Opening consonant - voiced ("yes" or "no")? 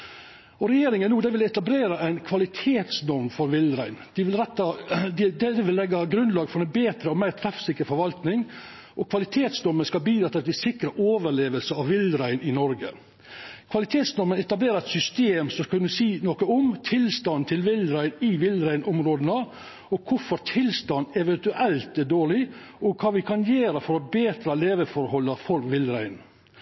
yes